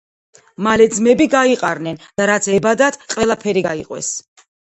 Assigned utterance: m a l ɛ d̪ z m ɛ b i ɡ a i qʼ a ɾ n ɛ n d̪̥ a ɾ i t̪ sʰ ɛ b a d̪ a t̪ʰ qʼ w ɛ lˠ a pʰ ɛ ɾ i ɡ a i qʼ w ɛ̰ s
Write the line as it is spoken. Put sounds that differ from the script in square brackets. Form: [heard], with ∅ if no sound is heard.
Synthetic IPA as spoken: m a l ɛ d̪ z m ɛ b i ɡ a i qʼ a ɾ n ɛ n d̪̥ a ɾ [a] t̪ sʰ ɛ b a d̪ a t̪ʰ qʼ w ɛ lˠ a pʰ ɛ ɾ i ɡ a i qʼ w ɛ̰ s